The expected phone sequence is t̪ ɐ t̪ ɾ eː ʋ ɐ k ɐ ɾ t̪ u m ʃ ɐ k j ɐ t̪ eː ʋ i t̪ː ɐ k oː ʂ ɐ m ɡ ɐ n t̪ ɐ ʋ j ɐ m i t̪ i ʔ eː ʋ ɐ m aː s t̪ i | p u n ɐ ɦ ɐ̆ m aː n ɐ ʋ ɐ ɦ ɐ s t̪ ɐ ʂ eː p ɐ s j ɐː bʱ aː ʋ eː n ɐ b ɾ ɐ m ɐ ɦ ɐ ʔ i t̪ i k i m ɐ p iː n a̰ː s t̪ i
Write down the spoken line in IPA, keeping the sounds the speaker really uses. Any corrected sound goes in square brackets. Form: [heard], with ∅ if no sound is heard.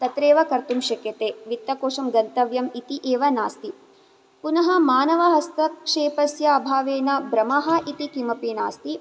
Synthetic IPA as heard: t̪ ɐ t̪ ɾ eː ʋ ɐ k ɐ ɾ t̪ u m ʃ ɐ k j ɐ t̪ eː ʋ i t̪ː ɐ k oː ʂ ɐ m ɡ ɐ n t̪ ɐ ʋ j ɐ m i t̪ i ʔ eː ʋ ɐ [n] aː s t̪ i | p u n ɐ ɦ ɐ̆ m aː n ɐ ʋ ɐ ɦ ɐ s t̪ ɐ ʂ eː p ɐ s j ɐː bʱ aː ʋ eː n ɐ b ɾ ɐ m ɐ ɦ ɐ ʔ i t̪ i k i m ɐ p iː n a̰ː s t̪ i